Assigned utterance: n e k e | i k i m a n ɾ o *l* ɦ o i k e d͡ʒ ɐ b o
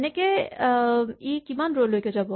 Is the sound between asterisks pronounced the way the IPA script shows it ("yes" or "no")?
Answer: yes